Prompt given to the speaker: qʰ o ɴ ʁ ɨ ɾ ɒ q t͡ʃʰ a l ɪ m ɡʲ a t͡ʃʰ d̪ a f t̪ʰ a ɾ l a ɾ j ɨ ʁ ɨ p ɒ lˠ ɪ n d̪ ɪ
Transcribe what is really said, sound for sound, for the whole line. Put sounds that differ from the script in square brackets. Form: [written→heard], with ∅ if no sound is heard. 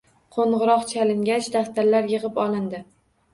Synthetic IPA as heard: qʰ o ɴ ʁ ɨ ɾ ɒ q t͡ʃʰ a l ɪ [m→ŋ] ɡʲ a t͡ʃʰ d̪ a f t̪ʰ a ɾ l a ɾ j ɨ ʁ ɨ p ɒ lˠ ɪ n d̪ ɪ